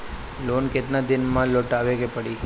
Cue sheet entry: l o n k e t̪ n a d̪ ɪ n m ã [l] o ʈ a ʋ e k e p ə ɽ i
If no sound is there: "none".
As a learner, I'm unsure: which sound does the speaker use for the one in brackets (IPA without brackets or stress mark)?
l